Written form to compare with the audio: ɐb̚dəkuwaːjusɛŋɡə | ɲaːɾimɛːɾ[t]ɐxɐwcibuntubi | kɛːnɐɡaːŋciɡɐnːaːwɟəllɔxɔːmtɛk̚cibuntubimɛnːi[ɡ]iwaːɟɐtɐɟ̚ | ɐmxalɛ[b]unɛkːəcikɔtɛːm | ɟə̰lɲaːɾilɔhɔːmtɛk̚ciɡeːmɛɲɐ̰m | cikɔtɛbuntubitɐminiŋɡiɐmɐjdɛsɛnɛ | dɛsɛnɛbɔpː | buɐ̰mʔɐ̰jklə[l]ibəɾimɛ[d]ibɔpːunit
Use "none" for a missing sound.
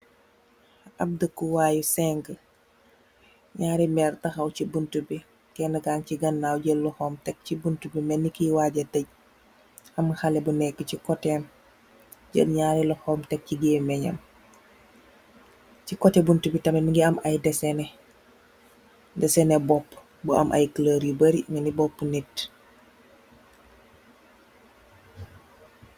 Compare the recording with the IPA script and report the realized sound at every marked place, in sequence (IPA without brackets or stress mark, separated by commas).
t, k, b, ɾ, n